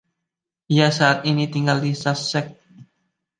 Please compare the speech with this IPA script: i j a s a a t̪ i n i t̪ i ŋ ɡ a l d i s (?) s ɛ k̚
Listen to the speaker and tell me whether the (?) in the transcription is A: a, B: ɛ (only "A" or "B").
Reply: A